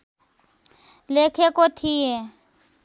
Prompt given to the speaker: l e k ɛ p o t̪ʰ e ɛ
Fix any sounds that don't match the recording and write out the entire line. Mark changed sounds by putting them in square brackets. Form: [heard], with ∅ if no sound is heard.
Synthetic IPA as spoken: l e [kʰ] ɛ [k] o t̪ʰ [i] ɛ